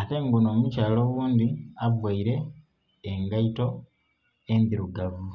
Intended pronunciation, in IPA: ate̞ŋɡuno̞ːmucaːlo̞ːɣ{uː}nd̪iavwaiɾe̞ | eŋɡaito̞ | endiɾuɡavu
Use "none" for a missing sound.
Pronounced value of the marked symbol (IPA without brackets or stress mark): uː